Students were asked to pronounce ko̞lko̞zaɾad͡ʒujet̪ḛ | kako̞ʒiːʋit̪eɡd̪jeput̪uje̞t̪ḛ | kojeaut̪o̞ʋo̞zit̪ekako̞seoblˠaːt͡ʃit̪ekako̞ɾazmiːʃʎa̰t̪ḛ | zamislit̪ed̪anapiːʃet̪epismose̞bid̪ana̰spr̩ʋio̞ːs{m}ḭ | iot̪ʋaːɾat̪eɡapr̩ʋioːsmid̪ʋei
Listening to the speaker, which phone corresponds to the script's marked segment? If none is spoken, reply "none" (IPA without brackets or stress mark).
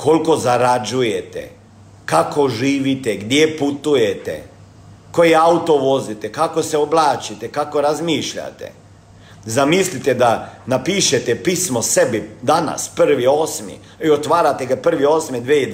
m